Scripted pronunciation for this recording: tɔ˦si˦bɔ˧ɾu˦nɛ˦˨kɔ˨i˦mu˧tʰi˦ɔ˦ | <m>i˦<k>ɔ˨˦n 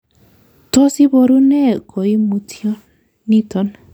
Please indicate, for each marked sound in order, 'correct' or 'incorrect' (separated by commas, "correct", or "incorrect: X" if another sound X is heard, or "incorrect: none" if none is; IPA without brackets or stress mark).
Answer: incorrect: n, incorrect: t